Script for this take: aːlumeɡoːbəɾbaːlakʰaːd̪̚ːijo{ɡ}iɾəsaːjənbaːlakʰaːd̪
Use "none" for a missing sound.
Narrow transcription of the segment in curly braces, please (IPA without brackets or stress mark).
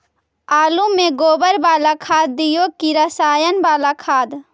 k